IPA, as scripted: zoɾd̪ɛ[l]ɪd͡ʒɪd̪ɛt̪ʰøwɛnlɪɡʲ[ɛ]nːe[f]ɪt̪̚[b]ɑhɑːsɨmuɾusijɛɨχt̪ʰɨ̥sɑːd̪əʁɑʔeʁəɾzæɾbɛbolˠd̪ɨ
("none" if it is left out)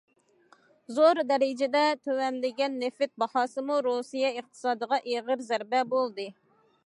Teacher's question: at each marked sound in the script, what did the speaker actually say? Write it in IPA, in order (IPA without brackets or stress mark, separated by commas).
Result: ɾ, ɛ, f, b